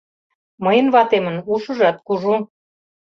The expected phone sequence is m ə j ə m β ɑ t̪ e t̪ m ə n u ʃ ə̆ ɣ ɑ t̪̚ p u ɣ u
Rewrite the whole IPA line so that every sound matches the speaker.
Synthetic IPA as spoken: m ə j ə n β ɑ t̪ e m ə n u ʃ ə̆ ʒ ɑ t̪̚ k u ʒ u